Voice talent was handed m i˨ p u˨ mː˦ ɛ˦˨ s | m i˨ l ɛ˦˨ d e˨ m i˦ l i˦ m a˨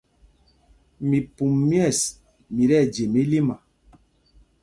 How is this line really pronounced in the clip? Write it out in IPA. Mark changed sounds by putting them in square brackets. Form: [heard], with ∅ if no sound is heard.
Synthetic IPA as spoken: m i˨ p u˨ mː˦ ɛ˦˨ s | m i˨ [ɾ] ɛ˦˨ [d͡ʒ] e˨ m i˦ l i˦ m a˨